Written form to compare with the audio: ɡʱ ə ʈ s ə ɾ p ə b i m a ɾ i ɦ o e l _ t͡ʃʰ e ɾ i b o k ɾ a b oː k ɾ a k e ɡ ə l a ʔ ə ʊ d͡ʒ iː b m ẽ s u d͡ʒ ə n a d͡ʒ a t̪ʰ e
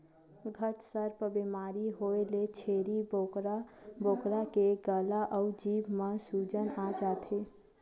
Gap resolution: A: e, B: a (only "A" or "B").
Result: A